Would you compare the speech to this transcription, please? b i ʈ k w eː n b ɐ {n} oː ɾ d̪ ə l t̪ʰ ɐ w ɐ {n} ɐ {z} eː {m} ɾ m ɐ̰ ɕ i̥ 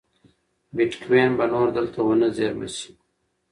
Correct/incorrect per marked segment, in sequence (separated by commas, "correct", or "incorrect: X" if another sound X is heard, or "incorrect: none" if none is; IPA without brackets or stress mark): correct, correct, correct, incorrect: none